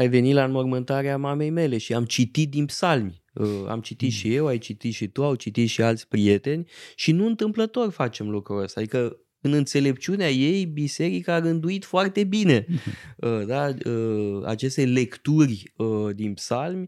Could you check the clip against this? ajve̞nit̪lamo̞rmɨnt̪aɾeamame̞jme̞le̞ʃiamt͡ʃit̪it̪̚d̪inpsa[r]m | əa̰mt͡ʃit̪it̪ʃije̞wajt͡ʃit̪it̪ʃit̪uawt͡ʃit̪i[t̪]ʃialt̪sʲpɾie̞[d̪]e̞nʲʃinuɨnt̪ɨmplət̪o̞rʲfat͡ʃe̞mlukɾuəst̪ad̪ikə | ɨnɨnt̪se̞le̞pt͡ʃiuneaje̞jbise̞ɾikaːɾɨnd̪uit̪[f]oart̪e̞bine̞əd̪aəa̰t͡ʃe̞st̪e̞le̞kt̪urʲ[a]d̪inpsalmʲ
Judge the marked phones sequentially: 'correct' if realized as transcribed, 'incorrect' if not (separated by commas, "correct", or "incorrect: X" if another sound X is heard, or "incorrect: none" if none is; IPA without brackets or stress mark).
incorrect: l, correct, incorrect: t̪, correct, incorrect: ə